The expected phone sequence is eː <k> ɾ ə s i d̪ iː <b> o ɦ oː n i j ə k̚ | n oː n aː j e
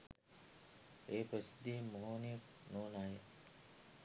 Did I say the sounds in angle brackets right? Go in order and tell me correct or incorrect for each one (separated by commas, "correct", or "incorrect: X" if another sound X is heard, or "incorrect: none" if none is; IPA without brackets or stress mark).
incorrect: p, incorrect: m